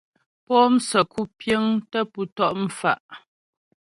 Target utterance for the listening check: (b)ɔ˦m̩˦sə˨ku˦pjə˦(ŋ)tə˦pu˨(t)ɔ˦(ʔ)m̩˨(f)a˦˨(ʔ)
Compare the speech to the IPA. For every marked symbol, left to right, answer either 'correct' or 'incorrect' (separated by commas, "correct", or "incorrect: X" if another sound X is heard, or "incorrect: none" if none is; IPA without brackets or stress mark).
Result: incorrect: p, correct, correct, correct, correct, correct